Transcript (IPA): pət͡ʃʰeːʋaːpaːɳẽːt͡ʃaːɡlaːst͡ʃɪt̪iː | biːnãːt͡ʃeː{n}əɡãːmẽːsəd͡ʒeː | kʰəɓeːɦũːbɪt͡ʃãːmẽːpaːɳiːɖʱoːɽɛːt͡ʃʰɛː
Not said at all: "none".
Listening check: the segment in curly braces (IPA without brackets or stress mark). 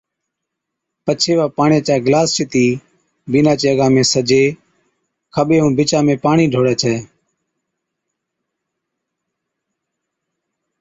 none